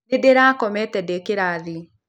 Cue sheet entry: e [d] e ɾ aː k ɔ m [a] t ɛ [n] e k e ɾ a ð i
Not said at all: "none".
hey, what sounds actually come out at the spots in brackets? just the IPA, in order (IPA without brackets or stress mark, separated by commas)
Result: d, ɛ, d